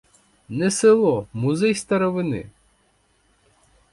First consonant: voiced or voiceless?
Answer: voiced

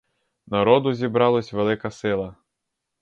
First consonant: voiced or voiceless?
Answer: voiced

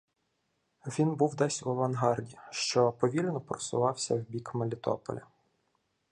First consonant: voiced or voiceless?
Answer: voiced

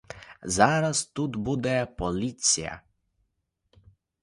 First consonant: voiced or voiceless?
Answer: voiced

